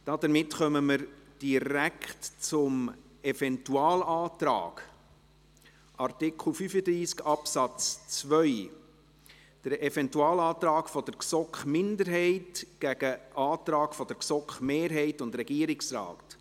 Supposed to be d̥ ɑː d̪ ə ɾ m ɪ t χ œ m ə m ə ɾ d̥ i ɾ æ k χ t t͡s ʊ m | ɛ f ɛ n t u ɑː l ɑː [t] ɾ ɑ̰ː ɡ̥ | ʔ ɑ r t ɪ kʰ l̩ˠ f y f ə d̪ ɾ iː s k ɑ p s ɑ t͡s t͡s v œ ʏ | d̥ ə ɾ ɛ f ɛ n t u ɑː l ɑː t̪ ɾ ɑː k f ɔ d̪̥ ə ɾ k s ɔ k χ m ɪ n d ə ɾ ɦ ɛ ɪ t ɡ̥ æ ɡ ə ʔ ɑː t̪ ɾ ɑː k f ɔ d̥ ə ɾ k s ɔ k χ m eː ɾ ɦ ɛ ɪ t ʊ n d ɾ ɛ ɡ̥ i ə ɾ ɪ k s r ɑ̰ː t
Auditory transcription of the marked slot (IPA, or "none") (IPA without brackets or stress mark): t